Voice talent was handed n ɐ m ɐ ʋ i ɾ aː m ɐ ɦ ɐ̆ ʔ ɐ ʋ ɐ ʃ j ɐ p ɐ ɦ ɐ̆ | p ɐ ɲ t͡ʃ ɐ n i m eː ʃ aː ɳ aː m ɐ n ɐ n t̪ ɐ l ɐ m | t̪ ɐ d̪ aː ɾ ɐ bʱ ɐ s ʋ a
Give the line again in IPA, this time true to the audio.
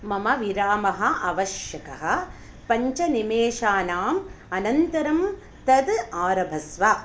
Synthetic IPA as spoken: m ɐ m ɐ ʋ i ɾ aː m ɐ ɦ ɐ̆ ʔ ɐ ʋ ɐ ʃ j ɐ k ɐ ɦ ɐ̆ | p ɐ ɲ t͡ʃ ɐ n i m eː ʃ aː n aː m ɐ n ɐ n t̪ ɐ ɾ ɐ m | t̪ ɐ d̪ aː ɾ ɐ bʱ ɐ s ʋ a

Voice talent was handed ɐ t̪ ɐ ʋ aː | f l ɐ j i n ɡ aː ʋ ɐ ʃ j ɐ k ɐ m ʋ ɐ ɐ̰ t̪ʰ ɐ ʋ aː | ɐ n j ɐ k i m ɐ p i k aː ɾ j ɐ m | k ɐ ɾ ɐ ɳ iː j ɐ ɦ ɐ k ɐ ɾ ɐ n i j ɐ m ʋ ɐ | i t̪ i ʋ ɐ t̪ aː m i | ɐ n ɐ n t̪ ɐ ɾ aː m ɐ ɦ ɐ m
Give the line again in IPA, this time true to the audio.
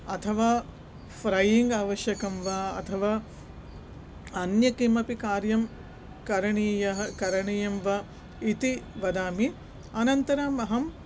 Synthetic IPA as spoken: ɐ t̪ʰ ɐ ʋ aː | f ɾ ɐ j i ŋ ɡ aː ʋ ɐ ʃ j ɐ k ɐ m ʋ ɐ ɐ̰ t̪ʰ ɐ ʋ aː | ɐ n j ɐ k i m ɐ p i k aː ɾ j ɐ m | k ɐ ɾ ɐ ɳ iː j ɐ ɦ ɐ k ɐ ɾ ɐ ɳ i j ɐ m ʋ ɐ | i t̪ i ʋ ɐ d̪ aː m i | ɐ n ɐ n t̪ ɐ ɾ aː m ɐ ɦ ɐ m

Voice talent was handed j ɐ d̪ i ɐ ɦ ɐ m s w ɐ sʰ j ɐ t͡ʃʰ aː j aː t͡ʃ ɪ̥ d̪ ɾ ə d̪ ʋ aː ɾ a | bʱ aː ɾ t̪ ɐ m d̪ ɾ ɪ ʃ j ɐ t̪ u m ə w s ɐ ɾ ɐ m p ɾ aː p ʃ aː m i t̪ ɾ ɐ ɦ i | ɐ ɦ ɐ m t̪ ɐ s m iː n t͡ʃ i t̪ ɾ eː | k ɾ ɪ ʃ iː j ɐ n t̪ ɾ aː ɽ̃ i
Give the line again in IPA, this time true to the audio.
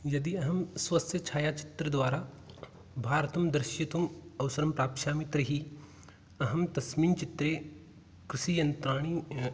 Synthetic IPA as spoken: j ɐ d̪ i ɐ ɦ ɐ m s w ɐ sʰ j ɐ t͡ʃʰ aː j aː t͡ʃ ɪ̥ t̪ ɾ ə d̪ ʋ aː ɾ a | bʱ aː ɾ t̪ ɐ m d̪ ɾ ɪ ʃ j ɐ t̪ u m ɐ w s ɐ ɾ ɐ m p ɾ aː p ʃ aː m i t̪ ɾ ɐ ɦ i | ɐ ɦ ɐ m t̪ ɐ s m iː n t͡ʃ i t̪ ɾ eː | k ɾ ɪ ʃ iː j ɐ n t̪ ɾ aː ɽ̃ i

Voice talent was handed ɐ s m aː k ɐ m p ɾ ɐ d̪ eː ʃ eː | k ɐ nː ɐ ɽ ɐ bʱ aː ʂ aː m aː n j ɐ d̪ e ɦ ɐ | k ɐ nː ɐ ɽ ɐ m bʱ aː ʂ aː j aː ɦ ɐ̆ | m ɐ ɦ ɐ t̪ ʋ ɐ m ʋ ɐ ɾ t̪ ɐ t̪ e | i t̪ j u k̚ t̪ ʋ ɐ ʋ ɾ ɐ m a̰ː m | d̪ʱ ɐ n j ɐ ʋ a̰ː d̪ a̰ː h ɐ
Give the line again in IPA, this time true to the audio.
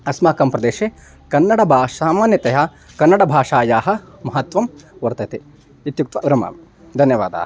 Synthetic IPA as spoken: ɐ s m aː k ɐ m p ɾ ɐ d̪ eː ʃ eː | k ɐ nː ɐ ɽ ɐ bʱ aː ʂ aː m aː n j ɐ t̪ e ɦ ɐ | k ɐ nː ɐ ɽ ɐ bʱ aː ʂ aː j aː ɦ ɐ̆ | m ɐ ɦ ɐ t̪ ʋ ɐ m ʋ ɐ ɾ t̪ ɐ t̪ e | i t̪ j u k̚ t̪ ʋ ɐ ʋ ɾ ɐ m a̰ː m | d̪ʱ ɐ n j ɐ ʋ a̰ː d̪ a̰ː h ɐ

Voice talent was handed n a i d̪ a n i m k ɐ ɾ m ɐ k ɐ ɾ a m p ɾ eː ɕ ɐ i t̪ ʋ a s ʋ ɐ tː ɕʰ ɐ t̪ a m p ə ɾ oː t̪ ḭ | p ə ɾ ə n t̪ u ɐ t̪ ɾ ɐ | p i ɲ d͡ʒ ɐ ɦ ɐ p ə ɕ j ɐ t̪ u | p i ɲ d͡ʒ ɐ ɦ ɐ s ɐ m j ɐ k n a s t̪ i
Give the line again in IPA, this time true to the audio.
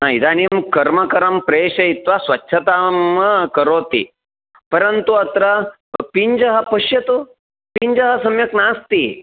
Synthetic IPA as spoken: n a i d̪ a n i m k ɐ ɾ m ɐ k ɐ ɾ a m p ɾ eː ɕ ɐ i t̪ ʋ a s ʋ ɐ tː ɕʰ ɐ t̪ a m k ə ɾ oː t̪ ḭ | p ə ɾ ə n t̪ u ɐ t̪ ɾ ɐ | p i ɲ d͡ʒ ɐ ɦ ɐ p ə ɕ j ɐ t̪ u | p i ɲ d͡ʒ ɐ ɦ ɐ s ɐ m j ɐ k n a s t̪ i

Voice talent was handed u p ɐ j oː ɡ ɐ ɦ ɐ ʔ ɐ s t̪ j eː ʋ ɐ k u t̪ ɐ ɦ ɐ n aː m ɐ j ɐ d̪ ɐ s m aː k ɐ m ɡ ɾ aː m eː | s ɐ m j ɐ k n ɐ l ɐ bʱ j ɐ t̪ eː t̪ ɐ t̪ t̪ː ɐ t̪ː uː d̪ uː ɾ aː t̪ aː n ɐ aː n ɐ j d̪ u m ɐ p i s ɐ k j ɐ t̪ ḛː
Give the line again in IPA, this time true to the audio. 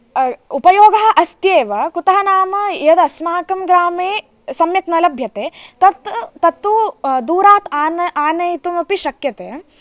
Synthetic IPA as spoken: u p ɐ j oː ɡ ɐ ɦ ɐ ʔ ɐ s t̪ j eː ʋ ɐ k u t̪ ɐ ɦ ɐ n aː m ɐ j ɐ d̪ ɐ s m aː k ɐ m ɡ ɾ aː m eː | s ɐ m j ɐ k n ɐ l ɐ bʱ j ɐ t̪ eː t̪ ɐ t̪ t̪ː ɐ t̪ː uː d̪ uː ɾ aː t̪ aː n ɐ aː n ɐ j t̪ u m ɐ p i ʃ ɐ k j ɐ t̪ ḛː

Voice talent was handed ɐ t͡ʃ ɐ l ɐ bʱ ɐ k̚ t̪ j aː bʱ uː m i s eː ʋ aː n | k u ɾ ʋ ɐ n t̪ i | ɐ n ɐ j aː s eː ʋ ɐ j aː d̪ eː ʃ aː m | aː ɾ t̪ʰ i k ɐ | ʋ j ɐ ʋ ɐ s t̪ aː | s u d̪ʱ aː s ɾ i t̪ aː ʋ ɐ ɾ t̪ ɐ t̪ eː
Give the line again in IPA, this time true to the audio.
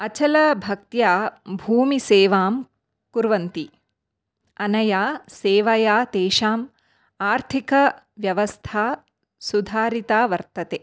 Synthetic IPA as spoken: ɐ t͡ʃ ɐ l ɐ bʱ ɐ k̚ t̪ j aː bʱ uː m i s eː ʋ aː m | k u ɾ ʋ ɐ n t̪ i | ɐ n ɐ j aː s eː ʋ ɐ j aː t̪ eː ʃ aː m | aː ɾ t̪ʰ i k ɐ | ʋ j ɐ ʋ ɐ s t̪ʰ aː | s u d̪ʱ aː ɾ i t̪ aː ʋ ɐ ɾ t̪ ɐ t̪ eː

